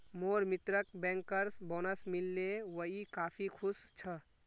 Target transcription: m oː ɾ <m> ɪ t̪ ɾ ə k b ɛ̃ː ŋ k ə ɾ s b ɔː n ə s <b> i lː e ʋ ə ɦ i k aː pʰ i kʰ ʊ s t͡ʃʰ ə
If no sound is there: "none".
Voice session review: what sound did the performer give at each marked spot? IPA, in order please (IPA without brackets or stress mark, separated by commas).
m, m